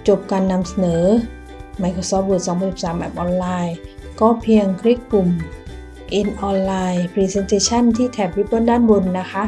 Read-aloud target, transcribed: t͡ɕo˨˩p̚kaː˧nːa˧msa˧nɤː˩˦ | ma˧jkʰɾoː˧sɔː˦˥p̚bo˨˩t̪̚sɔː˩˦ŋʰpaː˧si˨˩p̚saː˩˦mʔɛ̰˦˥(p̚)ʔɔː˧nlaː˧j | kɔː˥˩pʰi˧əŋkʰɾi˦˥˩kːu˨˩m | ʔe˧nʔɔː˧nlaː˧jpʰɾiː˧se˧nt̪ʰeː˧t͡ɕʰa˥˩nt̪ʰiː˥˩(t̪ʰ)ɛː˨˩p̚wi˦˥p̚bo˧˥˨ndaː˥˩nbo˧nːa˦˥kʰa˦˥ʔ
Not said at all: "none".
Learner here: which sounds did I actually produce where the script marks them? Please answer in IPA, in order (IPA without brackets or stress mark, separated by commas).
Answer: p̚, t̪ʰ